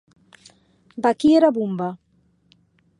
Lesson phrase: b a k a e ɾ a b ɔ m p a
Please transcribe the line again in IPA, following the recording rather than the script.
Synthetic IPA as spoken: b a k i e ɾ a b u m b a